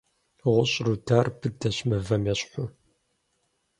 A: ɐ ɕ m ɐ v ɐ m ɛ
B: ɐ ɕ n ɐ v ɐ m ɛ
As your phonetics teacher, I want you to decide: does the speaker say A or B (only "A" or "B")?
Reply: A